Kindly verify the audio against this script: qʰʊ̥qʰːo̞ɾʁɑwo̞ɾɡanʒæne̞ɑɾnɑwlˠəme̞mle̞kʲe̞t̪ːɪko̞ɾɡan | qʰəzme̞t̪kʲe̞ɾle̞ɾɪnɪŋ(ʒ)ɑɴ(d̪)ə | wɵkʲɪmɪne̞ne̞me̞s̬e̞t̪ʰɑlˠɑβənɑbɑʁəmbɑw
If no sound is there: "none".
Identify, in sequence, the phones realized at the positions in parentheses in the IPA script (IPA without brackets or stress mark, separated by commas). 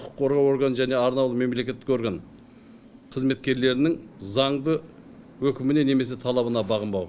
z, d̪